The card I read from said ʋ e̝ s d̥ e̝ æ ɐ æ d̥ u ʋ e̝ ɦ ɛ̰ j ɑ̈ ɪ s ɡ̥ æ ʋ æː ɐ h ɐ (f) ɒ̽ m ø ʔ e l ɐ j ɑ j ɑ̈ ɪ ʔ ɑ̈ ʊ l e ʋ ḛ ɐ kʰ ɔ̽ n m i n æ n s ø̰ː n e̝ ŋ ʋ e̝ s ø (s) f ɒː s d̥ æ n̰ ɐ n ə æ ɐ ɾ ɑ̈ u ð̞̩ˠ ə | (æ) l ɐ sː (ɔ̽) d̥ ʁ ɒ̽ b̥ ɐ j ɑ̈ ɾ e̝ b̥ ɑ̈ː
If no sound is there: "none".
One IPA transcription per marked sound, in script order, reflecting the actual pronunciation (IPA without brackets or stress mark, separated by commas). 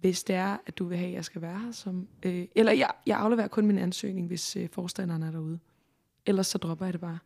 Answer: s, none, e, ɒ̽